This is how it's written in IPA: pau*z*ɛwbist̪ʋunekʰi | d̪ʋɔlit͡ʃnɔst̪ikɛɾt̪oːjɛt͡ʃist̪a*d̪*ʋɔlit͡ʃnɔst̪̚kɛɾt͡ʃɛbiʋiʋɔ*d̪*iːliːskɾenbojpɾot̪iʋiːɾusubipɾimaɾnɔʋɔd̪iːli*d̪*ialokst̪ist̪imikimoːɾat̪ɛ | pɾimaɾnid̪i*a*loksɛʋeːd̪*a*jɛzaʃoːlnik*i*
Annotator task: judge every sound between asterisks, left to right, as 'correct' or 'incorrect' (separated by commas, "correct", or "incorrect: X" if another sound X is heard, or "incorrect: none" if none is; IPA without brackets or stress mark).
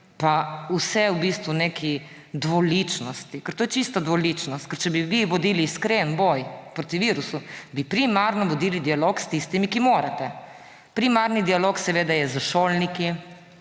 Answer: incorrect: s, correct, correct, correct, correct, correct, correct